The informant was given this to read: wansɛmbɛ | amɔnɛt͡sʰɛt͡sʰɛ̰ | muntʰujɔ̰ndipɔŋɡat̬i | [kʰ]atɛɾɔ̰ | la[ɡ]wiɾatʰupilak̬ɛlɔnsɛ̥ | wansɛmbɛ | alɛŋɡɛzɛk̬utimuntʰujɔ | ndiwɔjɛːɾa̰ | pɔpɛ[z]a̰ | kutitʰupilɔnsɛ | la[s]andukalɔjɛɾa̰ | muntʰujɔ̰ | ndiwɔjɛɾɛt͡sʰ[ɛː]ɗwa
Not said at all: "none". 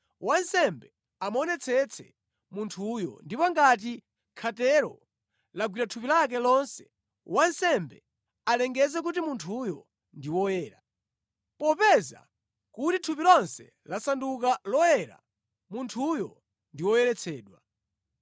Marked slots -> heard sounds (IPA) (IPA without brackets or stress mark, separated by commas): kʰ, ɡ, z, s, ɛː